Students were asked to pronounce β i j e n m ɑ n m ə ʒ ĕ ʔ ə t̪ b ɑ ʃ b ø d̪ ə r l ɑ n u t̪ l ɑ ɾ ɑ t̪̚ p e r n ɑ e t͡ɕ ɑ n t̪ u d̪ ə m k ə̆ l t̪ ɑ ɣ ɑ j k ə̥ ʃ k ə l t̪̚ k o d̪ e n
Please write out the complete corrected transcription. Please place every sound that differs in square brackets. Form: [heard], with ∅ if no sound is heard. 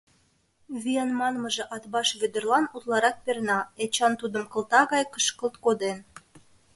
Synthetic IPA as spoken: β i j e n m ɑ n m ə ʒ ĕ ʔ [ɑ] t̪ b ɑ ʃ [β] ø d̪ ə r l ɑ n u t̪ l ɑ ɾ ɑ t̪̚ p e r n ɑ e t͡ɕ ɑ n t̪ u d̪ ə m k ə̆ l t̪ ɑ ɣ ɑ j k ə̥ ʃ k ə l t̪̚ k o d̪ e n